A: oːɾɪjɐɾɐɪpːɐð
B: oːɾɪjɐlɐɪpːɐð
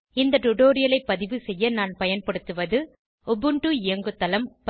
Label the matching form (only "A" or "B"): B